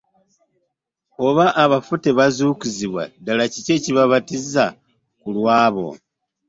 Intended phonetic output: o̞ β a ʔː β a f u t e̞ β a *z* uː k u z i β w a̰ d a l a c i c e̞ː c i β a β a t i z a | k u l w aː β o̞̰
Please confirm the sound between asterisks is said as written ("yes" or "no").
yes